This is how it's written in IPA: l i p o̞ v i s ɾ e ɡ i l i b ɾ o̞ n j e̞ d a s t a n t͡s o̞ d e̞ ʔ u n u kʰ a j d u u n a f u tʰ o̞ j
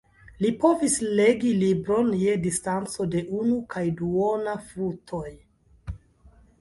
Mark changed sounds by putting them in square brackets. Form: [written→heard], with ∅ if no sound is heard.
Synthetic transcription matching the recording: l i p o̞ v i s [ɾ→l] e ɡ i l i b ɾ o̞ n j e̞ d [a→i] s t a n t͡s o̞ d e̞ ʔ u n u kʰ a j d u [u→o] n a f u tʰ o̞ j